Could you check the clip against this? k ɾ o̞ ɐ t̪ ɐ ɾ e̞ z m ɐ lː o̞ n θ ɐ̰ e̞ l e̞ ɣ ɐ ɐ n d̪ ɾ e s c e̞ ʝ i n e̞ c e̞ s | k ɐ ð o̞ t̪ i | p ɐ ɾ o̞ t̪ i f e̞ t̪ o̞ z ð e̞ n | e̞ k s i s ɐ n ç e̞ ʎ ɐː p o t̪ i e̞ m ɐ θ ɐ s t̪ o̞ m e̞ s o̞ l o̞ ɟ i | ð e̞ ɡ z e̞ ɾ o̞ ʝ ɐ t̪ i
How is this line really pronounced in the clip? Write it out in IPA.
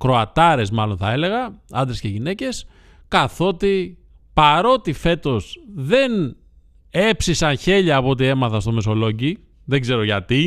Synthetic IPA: k ɾ o̞ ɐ t̪ ɐ ɾ e̞ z m ɐ l o̞ n θ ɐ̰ e̞ l e̞ ɣ ɐ ɐ n d̪ ɾ e s c e̞ ʝ i n e̞ c e̞ s | k ɐ θ o̞ t̪ i | p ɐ ɾ o̞ t̪ i f e̞ t̪ o̞ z ð e̞ n | e̞ p s i s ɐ n ç e̞ ʎ ɐː p o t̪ i e̞ m ɐ θ ɐ s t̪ o̞ m e̞ s o̞ l o̞ ɟ i | ð e̞ ɡ z e̞ ɾ o̞ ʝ ɐ t̪ i